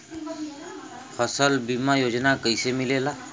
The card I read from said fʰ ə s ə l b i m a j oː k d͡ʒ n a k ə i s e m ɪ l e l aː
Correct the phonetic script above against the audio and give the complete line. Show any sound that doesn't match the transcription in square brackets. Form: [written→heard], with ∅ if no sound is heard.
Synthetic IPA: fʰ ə s ə l b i m a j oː [k→∅] d͡ʒ n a k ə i s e m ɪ l e l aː

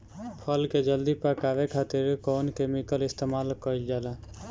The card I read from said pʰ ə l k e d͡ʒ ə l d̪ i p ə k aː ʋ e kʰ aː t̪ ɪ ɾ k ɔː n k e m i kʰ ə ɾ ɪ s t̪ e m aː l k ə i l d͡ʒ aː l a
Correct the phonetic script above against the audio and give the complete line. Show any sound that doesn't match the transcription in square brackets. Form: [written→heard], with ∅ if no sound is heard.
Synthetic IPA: pʰ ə l k e d͡ʒ ə l d̪ i p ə k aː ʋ e kʰ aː t̪ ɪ ɾ k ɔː n k e m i [kʰ→k] ə [ɾ→l] ɪ s t̪ e m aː l k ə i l d͡ʒ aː l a

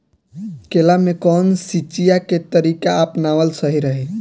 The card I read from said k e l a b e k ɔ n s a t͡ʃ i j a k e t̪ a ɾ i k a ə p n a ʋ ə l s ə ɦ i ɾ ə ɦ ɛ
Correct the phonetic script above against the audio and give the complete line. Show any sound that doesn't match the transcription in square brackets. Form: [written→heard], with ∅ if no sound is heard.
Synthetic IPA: k e l a [b→m] e k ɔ n s [a→i] t͡ʃ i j a k e t̪ [a→ə] ɾ i k a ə p n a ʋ ə l s ə ɦ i ɾ ə ɦ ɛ

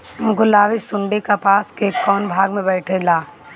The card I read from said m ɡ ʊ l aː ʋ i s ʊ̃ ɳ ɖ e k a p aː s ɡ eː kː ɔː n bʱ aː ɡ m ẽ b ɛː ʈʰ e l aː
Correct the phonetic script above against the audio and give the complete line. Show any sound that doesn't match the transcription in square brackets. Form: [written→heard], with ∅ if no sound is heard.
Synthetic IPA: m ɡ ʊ l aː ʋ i s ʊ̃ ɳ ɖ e k a p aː s [ɡ→k] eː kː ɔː n bʱ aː ɡ m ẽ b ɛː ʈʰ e l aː

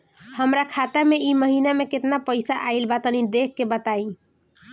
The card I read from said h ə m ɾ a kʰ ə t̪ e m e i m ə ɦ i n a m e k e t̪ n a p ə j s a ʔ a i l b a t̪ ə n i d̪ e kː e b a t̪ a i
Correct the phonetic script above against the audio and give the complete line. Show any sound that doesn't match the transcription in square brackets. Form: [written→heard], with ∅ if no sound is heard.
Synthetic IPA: h ə m ɾ a kʰ [ə→a] t̪ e m e i m ə ɦ i n a m e k e t̪ n a p ə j s a ʔ a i l b a t̪ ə n i d̪ e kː e b [a→ə] t̪ a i

